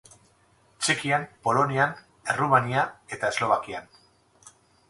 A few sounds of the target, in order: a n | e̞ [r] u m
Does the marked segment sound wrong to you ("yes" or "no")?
no